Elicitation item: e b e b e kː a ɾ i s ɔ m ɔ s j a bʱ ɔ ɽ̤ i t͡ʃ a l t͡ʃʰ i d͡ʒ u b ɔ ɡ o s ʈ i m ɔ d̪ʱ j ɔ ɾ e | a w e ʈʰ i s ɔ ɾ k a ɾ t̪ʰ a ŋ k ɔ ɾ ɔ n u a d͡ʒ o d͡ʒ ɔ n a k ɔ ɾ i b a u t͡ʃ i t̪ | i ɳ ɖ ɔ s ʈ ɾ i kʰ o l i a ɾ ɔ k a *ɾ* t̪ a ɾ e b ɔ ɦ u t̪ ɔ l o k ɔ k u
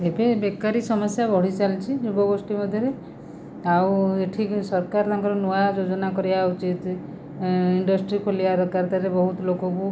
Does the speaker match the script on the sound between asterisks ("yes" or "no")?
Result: yes